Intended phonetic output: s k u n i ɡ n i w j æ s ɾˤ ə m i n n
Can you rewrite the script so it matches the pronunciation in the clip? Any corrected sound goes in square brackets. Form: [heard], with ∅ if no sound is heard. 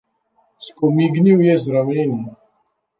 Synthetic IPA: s k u [m] i ɡ n i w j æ [z] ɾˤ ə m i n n